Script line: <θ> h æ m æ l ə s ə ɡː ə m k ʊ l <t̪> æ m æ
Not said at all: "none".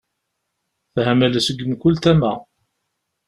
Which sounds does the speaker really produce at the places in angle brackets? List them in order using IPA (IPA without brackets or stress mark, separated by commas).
θ, t̪